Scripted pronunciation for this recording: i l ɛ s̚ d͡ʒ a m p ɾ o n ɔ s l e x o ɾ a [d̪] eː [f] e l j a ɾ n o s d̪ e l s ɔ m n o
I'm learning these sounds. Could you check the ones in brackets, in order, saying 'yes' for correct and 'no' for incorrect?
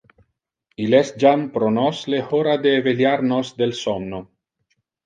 yes, no

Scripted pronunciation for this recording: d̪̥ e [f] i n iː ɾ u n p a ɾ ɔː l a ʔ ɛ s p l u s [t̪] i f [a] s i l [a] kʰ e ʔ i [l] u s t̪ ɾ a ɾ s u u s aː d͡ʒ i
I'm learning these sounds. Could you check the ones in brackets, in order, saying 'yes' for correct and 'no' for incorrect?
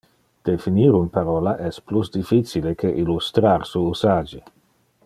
yes, no, no, no, yes

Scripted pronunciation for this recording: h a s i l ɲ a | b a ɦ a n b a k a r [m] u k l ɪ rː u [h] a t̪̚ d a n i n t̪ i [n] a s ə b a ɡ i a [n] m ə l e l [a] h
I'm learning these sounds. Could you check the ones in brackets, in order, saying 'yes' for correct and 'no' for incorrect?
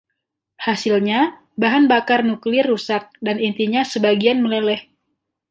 no, no, no, yes, no

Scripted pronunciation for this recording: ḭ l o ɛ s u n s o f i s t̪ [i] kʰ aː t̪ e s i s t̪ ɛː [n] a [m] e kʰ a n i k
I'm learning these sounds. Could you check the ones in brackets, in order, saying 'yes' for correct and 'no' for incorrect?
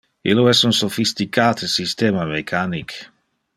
yes, no, yes

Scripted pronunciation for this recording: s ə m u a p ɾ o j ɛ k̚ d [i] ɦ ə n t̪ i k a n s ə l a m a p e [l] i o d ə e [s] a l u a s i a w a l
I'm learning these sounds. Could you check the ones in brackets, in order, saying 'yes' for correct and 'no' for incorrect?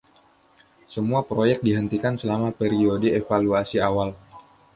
yes, no, no

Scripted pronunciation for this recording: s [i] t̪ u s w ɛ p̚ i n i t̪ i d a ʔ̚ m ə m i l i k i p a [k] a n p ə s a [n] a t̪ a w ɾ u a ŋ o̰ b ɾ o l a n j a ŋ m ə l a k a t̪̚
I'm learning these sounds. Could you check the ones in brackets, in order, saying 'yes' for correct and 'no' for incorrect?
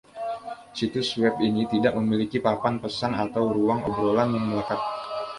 yes, no, yes

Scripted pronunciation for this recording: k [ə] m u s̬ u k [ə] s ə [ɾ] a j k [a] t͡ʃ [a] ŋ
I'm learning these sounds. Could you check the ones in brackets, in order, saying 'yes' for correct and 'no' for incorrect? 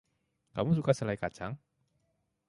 no, no, no, yes, yes

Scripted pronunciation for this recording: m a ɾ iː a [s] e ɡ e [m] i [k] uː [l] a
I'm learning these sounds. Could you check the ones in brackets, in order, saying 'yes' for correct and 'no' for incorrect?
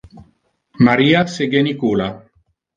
yes, no, yes, yes

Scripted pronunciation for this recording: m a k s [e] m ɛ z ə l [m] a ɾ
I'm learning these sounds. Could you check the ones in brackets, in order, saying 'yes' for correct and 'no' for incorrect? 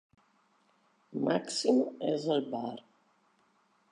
no, no

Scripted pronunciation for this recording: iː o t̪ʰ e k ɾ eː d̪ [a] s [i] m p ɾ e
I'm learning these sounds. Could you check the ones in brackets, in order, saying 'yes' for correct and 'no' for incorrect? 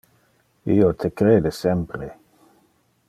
no, no

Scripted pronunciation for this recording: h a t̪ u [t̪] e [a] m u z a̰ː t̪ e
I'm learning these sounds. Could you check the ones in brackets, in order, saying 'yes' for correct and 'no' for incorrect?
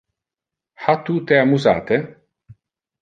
yes, yes

